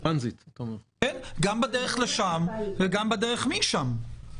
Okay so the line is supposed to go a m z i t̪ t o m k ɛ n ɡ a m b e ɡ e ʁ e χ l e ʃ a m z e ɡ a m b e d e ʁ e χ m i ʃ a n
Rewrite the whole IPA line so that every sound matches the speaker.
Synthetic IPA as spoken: a n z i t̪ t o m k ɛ n ɡ a m b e d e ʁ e χ l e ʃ a m v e ɡ a m b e d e ʁ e χ m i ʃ a m

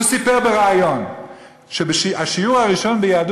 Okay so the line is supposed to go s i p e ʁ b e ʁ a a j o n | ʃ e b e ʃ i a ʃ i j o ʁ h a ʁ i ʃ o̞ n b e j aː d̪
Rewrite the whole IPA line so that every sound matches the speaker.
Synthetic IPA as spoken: s i p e ʁ b e ʁ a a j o n | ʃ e b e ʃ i a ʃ i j u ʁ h a ʁ i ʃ o̞ n b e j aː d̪

